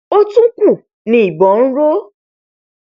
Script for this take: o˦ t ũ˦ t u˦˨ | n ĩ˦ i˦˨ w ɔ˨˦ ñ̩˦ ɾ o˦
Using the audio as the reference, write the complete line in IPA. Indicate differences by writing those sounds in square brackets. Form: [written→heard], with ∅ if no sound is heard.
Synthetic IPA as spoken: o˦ t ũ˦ [t→k] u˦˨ | n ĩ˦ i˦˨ [w→b] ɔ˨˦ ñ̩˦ ɾ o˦